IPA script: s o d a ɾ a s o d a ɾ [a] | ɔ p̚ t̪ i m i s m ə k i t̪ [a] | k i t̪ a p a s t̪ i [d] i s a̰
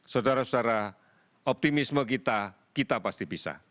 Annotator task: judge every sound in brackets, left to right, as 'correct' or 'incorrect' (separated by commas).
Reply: correct, correct, incorrect